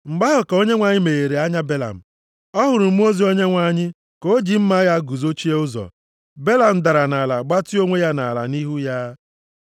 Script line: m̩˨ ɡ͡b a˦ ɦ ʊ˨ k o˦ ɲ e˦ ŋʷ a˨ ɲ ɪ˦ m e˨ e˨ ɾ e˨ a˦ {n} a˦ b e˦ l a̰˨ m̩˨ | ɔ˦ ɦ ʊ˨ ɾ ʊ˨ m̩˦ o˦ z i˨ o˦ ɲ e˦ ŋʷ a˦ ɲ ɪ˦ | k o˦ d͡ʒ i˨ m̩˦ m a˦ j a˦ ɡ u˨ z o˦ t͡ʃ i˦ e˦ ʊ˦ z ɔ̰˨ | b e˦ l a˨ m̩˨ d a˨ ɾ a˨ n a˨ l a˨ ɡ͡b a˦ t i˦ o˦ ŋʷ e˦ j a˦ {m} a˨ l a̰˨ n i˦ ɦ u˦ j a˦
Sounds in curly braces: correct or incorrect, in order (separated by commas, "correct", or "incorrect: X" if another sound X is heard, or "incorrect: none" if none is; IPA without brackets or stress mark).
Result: incorrect: ɲ, incorrect: n